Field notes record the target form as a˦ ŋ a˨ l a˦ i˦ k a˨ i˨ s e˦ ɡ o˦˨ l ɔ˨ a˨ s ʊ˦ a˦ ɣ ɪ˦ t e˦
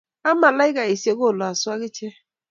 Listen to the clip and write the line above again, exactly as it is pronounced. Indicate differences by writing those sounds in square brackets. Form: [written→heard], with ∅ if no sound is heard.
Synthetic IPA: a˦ [ŋ→m] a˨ l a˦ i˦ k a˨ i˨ s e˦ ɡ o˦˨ l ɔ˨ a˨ s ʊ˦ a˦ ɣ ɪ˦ [t→t͡ʃ] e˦